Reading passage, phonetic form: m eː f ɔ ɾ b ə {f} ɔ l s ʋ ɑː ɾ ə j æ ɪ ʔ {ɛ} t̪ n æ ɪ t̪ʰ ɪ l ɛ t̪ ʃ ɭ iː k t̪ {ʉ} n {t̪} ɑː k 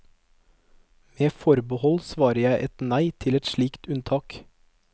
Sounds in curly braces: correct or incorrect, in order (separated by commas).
incorrect, correct, correct, incorrect